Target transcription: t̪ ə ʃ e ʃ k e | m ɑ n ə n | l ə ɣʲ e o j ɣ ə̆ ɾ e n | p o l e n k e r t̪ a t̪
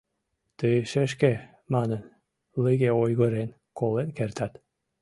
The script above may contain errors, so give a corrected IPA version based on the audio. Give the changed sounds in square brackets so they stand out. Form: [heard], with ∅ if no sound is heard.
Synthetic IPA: t̪ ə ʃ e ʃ k e | m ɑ n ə n | l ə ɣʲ e o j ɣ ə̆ ɾ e n | [k] o l e n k e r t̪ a t̪